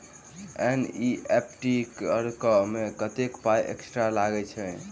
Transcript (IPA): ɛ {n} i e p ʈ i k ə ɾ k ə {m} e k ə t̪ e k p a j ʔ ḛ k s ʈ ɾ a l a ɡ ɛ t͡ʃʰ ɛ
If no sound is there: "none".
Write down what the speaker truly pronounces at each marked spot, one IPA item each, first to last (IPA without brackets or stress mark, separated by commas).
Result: n, m